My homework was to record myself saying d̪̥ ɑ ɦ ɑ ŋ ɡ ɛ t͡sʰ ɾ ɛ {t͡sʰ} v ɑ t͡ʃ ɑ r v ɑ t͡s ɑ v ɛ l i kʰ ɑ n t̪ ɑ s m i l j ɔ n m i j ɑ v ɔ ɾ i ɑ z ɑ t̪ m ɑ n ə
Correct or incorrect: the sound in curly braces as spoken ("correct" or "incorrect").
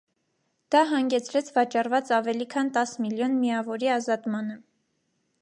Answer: correct